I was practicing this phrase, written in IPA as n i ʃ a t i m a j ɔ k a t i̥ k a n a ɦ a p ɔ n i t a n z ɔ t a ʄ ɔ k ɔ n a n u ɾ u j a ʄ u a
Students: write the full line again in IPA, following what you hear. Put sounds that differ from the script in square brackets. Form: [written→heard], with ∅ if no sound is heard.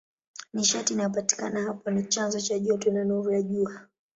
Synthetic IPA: n i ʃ a t i [m→n] a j ɔ [k→p] a t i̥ k a n a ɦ a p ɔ n i [t→t͡ʃ] a n z ɔ [t→t͡ʃ] a ʄ ɔ [k→t] ɔ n a n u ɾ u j a ʄ u a